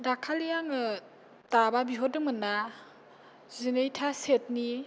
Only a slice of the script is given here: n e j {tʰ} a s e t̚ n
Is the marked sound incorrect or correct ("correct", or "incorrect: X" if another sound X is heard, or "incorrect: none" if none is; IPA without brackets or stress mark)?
correct